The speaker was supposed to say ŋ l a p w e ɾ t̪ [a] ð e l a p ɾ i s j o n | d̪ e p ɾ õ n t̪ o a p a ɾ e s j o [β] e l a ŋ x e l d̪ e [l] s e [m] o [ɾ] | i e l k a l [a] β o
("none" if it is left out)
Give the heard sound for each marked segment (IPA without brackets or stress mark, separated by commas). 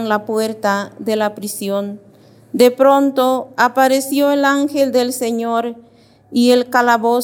a, none, l, ɲ, ɾ, a